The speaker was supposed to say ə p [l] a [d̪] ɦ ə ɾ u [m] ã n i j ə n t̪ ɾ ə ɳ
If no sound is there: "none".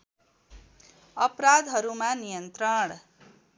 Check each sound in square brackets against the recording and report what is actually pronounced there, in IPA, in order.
ɾ, d̪, m

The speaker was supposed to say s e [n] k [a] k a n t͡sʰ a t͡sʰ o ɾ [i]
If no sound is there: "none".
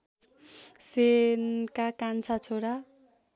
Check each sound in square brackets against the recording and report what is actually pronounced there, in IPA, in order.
n, a, a

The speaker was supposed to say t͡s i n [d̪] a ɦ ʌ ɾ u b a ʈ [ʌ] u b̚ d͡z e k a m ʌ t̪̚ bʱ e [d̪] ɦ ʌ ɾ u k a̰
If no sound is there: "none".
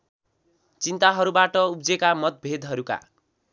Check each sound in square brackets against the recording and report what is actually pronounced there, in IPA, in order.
t̪, ʌ, d̪

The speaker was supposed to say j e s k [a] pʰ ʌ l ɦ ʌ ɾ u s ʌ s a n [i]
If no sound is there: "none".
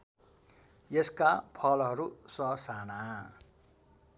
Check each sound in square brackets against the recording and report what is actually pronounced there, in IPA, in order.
a, a

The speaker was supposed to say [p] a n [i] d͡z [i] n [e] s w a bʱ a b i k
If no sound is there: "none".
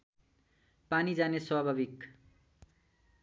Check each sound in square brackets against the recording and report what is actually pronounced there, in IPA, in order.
p, i, a, e

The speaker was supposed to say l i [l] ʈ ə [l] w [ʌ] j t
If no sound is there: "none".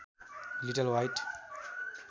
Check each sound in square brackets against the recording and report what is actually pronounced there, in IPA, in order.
none, l, a

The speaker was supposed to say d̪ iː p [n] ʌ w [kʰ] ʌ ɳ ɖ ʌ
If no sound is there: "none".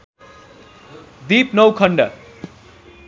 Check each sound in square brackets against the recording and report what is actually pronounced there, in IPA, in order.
n, kʰ

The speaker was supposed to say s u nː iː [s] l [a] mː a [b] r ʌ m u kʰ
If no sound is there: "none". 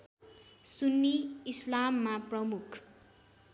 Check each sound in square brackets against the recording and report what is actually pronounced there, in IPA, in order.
s, a, p

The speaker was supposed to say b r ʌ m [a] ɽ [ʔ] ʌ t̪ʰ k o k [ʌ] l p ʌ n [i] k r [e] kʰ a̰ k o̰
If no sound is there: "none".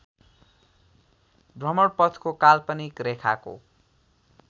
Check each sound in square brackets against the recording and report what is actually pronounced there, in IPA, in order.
ʌ, p, a, i, e

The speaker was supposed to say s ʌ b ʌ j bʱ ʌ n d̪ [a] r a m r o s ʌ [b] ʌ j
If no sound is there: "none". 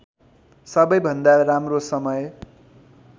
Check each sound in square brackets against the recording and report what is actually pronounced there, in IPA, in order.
a, m

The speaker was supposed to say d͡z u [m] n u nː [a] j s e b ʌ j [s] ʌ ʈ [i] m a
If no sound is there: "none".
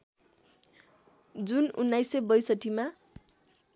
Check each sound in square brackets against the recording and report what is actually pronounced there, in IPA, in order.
none, a, s, i

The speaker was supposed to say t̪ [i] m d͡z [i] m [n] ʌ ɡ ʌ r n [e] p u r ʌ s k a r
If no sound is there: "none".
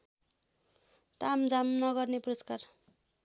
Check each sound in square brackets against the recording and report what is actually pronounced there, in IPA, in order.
a, a, n, e

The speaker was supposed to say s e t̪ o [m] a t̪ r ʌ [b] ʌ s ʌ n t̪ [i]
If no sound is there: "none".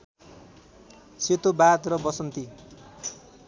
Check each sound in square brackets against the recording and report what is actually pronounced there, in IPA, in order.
b, b, i

